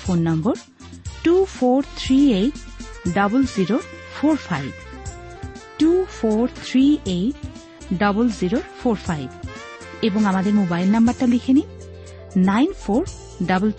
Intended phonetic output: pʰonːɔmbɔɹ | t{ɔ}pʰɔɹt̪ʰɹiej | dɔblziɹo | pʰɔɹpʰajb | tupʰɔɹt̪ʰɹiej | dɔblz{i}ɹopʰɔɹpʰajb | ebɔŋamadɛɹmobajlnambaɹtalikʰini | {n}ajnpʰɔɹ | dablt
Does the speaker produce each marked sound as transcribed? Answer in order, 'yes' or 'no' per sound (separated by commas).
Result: no, yes, yes